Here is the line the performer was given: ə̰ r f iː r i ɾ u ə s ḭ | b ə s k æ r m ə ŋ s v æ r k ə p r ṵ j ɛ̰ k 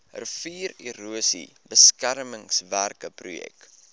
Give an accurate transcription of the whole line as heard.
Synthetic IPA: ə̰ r f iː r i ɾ u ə s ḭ | b ə s k æ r m ə ŋ s v æ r k ə p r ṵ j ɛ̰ k